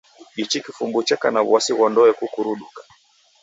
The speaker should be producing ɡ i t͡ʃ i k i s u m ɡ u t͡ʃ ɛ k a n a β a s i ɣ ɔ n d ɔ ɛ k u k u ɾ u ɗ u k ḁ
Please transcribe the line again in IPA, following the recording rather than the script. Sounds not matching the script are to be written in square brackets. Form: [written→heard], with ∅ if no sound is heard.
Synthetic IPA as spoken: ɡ i t͡ʃ i k i [s→f] u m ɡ u t͡ʃ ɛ k a n a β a s i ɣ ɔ n d ɔ ɛ k u k u ɾ u ɗ u k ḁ